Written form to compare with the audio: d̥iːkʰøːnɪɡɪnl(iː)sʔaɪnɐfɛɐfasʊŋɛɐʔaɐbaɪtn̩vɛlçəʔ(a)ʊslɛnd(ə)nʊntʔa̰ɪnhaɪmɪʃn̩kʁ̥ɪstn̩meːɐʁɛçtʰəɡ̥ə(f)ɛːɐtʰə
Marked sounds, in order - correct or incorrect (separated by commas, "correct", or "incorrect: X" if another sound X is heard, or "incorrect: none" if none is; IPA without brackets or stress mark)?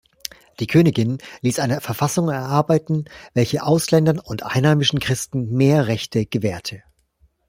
correct, correct, incorrect: ɐ, incorrect: v